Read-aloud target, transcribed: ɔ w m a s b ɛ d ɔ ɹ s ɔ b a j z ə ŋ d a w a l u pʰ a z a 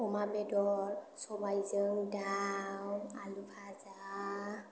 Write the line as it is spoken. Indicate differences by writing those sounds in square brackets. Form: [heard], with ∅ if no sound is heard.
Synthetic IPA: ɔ [∅] m a [∅] b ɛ d ɔ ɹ s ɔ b a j z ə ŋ d a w a l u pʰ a z a